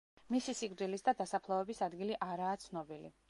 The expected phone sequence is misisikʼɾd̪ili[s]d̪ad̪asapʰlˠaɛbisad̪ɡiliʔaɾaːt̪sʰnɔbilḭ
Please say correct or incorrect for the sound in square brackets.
correct